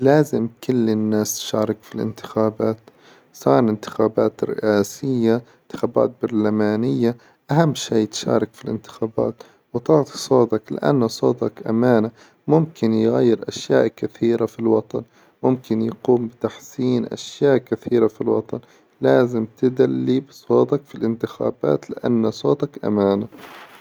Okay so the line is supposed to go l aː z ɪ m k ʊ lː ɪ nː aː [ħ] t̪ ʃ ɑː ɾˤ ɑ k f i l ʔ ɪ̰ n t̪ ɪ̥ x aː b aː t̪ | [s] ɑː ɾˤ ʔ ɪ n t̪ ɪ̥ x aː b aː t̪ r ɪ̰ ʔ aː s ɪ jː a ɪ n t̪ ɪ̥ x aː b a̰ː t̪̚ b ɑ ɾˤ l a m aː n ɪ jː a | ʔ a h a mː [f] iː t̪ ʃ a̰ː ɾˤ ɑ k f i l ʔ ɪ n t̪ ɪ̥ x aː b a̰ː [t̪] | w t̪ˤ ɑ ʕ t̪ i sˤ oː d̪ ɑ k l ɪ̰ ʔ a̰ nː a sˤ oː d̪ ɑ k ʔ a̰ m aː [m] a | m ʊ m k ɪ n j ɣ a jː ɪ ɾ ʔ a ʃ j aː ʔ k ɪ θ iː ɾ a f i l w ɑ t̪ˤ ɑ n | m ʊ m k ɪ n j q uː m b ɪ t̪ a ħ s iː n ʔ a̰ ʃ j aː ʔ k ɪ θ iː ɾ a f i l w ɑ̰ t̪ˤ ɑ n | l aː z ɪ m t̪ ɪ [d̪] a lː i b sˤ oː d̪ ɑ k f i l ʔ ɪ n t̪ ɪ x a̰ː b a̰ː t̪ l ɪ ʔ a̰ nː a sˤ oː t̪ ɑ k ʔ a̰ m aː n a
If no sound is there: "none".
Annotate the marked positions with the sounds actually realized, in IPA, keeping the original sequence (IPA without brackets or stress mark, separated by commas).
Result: s, s, ʃ, t̪, n, d̪